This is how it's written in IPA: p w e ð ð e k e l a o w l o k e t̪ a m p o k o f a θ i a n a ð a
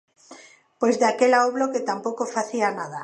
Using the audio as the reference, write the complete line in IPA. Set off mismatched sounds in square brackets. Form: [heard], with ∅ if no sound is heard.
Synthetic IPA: p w e [z] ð [a] k e l a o [β] l o k e t̪ a m p o k o f a θ i a n a ð a